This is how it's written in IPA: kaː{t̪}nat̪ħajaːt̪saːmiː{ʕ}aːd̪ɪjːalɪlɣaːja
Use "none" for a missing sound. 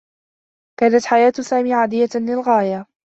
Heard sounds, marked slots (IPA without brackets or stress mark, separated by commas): none, ʕ